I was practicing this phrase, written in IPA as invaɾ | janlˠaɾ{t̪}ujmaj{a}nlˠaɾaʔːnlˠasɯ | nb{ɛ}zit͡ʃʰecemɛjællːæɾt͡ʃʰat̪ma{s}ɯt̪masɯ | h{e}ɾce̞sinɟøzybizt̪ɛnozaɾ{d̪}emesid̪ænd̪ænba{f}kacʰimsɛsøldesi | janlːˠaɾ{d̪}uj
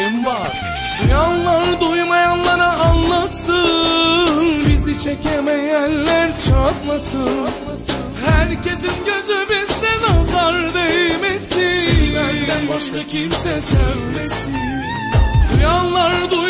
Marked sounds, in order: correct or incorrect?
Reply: incorrect, correct, incorrect, correct, incorrect, correct, incorrect, correct

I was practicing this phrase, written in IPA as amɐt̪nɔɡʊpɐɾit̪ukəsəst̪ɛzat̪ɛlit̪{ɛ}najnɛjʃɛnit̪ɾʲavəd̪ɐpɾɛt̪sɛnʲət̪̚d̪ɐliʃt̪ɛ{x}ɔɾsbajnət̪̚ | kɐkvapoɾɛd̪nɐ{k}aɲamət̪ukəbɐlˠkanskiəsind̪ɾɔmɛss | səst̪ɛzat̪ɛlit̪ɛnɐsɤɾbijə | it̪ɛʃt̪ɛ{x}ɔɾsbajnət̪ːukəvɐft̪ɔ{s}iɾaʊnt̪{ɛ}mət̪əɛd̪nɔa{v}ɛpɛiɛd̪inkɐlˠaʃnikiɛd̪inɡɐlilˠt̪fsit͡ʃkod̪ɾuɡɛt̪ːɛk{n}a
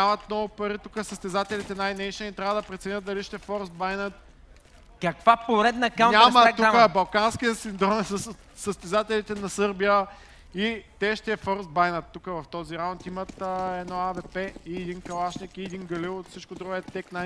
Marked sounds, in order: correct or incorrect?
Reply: correct, incorrect, correct, incorrect, incorrect, incorrect, correct, correct

